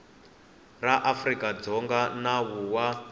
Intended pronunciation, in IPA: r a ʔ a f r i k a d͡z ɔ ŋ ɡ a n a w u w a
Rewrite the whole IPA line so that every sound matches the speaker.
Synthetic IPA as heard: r a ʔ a f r i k a d͡z ɔ ŋ ɡ a n a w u w a

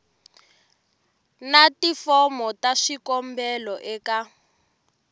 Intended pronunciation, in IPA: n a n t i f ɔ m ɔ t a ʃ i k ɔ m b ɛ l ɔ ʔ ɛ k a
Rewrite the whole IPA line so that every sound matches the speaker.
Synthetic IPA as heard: n a t i f ɔ m ɔ t a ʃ i k ɔ m b ɛ l ɔ ʔ ɛ k a

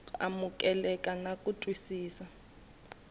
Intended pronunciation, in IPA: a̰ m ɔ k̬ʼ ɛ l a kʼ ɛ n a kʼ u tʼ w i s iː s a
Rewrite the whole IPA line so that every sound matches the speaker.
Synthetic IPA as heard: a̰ m u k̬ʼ ɛ l ɛ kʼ a n a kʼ u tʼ w i s iː s a

